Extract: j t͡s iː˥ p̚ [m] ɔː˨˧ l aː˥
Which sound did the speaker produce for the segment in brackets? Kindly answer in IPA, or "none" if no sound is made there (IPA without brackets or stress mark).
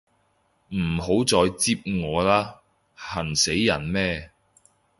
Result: ŋ